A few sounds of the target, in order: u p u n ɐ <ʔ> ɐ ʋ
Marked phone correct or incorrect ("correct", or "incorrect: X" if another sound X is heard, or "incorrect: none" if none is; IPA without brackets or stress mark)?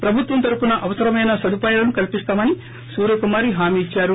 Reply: correct